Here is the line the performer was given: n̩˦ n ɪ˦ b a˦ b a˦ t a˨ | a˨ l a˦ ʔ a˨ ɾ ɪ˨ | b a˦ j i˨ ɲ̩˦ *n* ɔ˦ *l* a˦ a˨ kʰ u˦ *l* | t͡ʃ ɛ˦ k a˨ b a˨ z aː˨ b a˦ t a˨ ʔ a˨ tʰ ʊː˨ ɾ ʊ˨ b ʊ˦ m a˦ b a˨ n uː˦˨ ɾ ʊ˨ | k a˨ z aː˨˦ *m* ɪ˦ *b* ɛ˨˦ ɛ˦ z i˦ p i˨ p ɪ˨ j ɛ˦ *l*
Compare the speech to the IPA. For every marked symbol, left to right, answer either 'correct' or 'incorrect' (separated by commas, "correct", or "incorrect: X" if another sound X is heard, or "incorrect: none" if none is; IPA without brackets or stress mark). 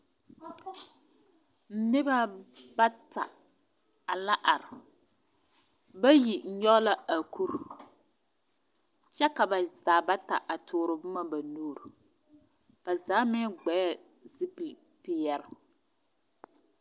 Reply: incorrect: ɲ, correct, incorrect: ɾ, correct, incorrect: ɡ͡b, incorrect: ɾ